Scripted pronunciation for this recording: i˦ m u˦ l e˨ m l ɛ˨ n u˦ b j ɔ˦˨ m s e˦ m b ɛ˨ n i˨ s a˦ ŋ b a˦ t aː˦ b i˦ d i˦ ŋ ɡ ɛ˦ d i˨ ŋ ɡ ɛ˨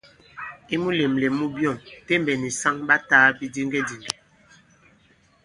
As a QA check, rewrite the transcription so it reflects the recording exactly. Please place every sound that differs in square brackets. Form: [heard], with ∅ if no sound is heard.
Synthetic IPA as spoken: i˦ m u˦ l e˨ m l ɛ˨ [m] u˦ b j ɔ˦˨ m [t] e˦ m b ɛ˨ n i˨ s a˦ ŋ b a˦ t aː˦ b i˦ d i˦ ŋ ɡ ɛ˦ d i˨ ŋ ɡ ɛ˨

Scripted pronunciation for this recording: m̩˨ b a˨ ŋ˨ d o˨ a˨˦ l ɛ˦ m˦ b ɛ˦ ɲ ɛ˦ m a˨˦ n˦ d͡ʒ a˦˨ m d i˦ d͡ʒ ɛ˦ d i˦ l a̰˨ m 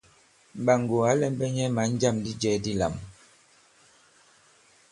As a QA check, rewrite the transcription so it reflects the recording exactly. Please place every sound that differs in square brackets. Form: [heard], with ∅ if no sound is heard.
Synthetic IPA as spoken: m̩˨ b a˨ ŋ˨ [ɡ] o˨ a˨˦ l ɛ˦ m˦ b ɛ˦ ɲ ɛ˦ m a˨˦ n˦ d͡ʒ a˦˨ m d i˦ d͡ʒ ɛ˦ d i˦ l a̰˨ m

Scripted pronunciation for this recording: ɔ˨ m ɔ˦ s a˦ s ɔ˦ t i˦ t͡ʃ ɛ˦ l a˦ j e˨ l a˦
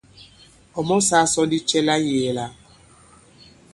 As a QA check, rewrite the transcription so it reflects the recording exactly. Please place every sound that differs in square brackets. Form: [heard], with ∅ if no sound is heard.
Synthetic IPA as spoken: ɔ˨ m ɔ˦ s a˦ s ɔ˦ [d] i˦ t͡ʃ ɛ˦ l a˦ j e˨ l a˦

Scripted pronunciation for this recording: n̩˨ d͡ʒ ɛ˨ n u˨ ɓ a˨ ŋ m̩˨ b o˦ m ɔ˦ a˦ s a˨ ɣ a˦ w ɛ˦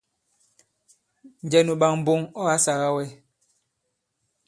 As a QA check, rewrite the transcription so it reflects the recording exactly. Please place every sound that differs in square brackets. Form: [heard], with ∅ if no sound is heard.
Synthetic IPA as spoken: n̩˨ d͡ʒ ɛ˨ n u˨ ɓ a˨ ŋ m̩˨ b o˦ [ŋ] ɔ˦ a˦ s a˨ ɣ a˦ w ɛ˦

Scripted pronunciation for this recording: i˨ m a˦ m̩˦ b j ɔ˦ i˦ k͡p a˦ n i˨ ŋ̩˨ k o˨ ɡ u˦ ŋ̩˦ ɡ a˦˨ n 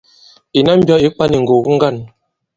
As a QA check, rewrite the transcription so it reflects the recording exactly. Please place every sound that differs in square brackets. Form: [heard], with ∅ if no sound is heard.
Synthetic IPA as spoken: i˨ [n] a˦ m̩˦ b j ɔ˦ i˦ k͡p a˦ n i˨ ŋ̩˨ [ɡ] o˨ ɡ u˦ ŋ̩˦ ɡ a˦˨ n

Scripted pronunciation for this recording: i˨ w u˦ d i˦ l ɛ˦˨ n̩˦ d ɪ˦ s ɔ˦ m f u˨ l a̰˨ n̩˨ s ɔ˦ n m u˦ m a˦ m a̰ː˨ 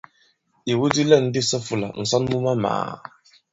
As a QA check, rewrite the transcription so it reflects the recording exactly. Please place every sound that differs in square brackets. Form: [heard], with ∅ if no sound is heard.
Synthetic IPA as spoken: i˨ w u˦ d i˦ l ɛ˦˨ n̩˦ d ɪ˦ s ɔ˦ [∅] f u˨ l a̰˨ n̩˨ s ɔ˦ n m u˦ m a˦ m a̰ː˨

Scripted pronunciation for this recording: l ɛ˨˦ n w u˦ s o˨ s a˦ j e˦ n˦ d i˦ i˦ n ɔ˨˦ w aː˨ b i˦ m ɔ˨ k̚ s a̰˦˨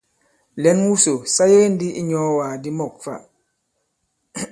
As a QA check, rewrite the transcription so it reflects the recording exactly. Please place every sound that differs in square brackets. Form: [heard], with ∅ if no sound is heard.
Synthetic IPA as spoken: l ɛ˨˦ n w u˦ s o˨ s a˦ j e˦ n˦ d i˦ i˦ [ɲ] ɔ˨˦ w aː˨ [d] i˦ m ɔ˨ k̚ [f] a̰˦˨

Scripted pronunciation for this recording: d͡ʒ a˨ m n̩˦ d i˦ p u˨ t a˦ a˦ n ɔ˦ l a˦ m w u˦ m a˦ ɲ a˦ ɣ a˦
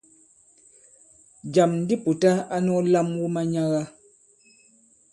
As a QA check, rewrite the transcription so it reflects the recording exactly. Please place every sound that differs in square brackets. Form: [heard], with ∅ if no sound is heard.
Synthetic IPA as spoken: d͡ʒ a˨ m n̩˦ d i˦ p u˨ t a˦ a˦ n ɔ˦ l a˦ m w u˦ m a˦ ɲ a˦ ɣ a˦

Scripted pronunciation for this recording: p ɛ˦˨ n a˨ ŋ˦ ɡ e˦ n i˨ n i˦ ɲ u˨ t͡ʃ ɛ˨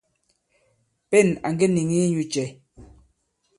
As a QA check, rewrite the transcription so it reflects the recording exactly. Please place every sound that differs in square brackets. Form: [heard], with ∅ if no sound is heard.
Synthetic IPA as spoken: p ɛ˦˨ n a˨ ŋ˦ ɡ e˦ n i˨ [ŋ] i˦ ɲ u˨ t͡ʃ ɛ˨

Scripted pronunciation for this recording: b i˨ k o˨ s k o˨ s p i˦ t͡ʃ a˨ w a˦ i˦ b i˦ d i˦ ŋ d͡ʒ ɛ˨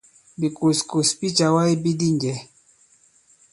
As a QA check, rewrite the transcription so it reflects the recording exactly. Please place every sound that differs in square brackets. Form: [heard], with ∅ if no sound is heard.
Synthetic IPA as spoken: b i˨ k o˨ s k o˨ s p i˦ t͡ʃ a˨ w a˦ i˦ b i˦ d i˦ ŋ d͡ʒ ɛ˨

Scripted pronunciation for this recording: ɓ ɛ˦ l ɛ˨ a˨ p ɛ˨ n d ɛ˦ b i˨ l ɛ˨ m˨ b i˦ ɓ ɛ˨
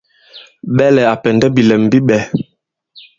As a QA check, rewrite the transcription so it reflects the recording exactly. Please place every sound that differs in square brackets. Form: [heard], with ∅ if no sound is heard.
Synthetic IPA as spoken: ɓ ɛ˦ l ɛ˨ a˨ p ɛ˨ n d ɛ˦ b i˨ l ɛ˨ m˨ b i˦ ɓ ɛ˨

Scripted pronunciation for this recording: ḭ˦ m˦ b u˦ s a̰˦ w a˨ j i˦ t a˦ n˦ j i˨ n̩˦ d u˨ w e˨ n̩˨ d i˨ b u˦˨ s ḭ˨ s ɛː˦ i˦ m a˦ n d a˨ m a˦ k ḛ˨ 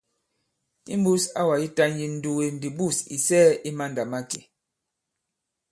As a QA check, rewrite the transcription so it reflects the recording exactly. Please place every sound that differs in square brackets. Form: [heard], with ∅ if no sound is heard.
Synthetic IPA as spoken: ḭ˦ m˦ b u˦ s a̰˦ w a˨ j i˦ t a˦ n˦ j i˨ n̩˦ d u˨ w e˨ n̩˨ d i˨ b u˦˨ s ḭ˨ s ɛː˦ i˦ m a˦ n d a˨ m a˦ k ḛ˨

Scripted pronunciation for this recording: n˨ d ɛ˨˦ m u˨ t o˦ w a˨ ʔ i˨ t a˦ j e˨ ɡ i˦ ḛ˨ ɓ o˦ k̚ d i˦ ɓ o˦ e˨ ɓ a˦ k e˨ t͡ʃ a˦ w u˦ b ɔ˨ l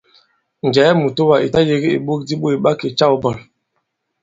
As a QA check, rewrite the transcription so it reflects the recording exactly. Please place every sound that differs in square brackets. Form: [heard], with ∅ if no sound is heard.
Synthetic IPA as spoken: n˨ [d͡ʒ] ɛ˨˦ m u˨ t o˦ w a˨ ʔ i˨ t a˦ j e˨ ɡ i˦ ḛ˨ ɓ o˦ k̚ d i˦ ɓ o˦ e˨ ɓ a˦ k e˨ t͡ʃ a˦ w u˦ b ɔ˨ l

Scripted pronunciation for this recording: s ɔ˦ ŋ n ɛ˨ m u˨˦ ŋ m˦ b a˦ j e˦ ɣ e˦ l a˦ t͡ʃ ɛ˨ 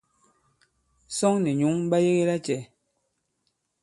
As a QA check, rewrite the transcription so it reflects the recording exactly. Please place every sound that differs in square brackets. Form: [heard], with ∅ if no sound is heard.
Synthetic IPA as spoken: s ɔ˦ ŋ n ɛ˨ [ɲ] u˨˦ ŋ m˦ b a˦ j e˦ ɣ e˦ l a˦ t͡ʃ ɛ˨

